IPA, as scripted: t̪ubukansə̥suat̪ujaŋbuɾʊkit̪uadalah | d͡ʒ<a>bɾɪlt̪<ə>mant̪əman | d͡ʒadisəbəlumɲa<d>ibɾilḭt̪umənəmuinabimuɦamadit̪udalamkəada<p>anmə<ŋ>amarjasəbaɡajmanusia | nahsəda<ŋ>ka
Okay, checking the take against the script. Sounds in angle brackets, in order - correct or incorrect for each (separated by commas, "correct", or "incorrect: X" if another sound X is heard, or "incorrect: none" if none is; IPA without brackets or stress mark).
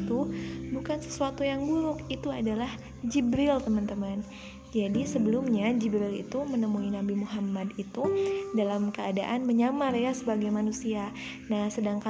incorrect: i, correct, incorrect: d͡ʒ, incorrect: ʔ, incorrect: ɲ, correct